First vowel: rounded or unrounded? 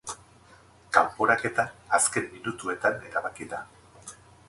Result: unrounded